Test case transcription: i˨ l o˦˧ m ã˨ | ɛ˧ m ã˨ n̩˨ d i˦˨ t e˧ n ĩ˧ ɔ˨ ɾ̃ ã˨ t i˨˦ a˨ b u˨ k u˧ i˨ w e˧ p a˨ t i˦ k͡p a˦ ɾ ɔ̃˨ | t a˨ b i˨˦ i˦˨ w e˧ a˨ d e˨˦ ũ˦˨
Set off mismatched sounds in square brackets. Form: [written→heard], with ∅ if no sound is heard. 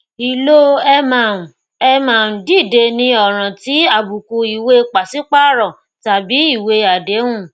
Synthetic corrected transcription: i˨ l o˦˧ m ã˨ | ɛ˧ m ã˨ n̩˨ d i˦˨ [t→d] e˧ n ĩ˧ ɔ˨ ɾ̃ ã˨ t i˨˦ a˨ b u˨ k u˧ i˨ w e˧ [p→k͡p] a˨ [t→s] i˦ k͡p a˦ ɾ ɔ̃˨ | t a˨ b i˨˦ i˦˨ w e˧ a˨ d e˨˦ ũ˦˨